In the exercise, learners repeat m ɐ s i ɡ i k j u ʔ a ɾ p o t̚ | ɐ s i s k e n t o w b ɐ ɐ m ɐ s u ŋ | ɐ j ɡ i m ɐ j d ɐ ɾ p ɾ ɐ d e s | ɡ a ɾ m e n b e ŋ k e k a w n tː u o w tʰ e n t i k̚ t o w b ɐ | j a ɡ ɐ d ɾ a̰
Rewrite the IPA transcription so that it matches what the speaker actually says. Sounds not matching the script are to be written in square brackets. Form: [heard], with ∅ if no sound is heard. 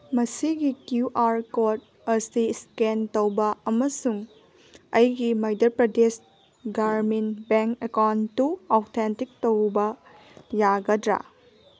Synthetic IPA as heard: m ɐ s i ɡ i k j u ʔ a ɾ [k] o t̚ | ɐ s i s k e n t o w b ɐ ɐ m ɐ s u ŋ | ɐ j ɡ i m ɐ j d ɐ ɾ p ɾ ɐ d e s | ɡ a ɾ m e n b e ŋ k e k a w n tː u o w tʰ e n t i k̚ t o w b ɐ | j a ɡ ɐ d ɾ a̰